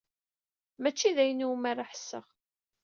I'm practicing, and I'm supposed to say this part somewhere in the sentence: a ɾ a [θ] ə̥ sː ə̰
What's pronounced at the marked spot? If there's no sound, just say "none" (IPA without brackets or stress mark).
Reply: ħ